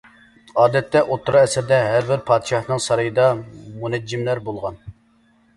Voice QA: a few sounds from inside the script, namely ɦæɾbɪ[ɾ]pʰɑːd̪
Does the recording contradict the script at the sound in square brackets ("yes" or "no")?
no